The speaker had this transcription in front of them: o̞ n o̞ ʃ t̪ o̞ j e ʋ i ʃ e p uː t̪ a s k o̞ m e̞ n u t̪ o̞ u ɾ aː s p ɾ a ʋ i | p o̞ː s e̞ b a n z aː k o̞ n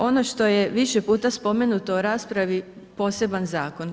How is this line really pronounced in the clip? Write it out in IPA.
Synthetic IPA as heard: o̞ n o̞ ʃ t̪ o̞ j e ʋ i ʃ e p uː t̪ a s p o̞ m e̞ n u t̪ o̞ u ɾ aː s p ɾ a ʋ i | p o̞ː s e̞ b a n z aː k o̞ n